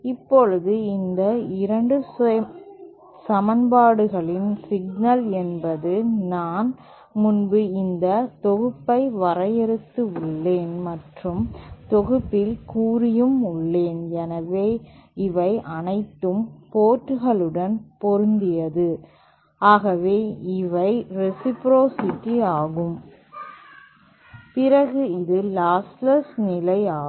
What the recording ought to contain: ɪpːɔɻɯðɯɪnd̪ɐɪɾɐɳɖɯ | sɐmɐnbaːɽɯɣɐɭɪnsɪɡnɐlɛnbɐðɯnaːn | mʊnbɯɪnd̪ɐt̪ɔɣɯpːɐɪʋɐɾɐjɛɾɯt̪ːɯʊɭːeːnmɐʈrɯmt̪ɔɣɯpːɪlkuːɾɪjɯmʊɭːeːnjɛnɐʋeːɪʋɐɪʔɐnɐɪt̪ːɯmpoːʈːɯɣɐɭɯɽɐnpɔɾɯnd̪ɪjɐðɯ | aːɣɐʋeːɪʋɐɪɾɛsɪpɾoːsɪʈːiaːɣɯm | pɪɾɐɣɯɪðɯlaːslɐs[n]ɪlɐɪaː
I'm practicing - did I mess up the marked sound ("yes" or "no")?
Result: no